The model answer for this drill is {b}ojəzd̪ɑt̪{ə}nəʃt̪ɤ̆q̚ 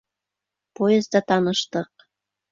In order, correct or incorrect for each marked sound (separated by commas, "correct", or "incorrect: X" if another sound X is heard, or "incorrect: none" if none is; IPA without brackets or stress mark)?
incorrect: p, incorrect: ɑ